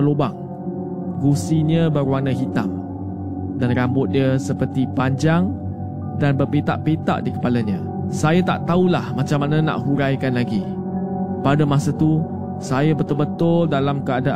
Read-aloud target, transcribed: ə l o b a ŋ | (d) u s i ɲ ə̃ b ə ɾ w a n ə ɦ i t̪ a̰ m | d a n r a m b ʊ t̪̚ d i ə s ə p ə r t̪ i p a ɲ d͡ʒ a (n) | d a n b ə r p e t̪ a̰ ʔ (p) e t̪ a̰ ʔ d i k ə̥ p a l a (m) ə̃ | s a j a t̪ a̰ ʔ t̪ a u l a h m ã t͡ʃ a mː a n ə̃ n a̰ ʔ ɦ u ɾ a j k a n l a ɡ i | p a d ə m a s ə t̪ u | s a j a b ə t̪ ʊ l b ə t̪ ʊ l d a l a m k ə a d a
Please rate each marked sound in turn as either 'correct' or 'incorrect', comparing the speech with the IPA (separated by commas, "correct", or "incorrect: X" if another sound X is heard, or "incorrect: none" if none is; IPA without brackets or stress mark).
incorrect: ɡ, incorrect: ŋ, correct, incorrect: ɲ